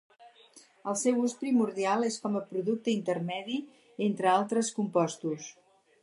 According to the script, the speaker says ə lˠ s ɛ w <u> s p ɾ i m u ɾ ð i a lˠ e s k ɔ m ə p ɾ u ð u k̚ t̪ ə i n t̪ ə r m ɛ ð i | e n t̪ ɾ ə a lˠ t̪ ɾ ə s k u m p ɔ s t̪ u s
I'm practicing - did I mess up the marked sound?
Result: no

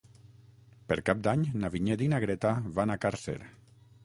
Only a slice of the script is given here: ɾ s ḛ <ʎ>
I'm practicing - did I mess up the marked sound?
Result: yes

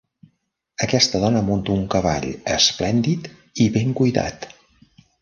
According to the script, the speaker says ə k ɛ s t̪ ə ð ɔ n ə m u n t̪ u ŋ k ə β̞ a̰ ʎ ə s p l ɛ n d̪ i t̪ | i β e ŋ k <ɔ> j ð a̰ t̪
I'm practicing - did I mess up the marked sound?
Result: yes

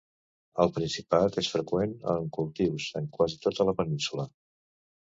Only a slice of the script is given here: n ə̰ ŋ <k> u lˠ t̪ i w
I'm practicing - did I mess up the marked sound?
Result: no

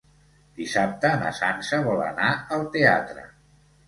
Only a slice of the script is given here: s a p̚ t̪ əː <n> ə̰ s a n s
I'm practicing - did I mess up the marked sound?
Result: no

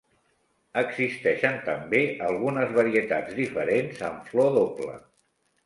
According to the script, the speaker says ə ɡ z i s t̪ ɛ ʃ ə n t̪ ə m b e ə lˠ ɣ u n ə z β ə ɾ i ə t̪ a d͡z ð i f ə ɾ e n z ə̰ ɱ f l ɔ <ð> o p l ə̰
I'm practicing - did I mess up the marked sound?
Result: no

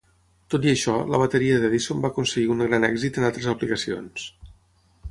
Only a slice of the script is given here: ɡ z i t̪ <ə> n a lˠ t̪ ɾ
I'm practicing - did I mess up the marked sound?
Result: no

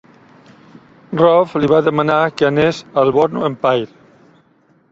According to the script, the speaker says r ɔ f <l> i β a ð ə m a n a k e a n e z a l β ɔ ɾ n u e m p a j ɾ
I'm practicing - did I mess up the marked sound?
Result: no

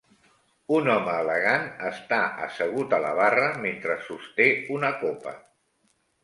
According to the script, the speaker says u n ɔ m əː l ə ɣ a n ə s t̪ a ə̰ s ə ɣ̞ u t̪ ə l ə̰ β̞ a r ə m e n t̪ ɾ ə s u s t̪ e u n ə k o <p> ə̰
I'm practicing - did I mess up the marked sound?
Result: no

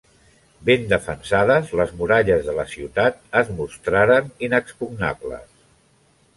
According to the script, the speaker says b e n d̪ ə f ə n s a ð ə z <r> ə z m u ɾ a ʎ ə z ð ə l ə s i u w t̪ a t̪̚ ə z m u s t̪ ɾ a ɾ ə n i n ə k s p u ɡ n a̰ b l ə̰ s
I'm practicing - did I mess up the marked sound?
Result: yes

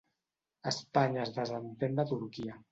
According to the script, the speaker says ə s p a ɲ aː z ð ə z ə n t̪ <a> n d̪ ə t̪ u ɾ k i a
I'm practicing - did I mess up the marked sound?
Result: yes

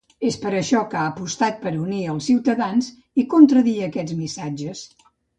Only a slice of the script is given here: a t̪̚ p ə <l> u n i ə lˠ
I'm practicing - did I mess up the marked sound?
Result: yes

